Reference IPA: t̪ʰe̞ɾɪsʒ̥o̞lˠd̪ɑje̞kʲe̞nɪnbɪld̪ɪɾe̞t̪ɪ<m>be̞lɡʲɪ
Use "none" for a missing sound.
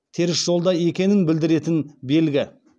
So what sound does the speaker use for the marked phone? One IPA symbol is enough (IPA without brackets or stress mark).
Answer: n